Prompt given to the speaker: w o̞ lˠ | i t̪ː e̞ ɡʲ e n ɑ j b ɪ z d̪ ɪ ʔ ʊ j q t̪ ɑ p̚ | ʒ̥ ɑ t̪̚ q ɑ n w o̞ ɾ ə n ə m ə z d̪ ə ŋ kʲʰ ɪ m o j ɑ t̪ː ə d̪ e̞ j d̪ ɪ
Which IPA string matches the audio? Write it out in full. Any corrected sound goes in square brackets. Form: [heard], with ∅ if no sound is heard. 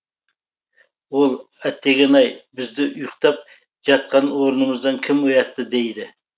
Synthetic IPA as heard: w o̞ lˠ | [æ] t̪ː e̞ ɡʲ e n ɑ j b ɪ z d̪ ɪ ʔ ʊ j q t̪ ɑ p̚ | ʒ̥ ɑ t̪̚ q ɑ n w o̞ ɾ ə n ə m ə z d̪ [ɑ] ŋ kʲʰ ɪ m o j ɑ t̪ː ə d̪ e̞ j d̪ ɪ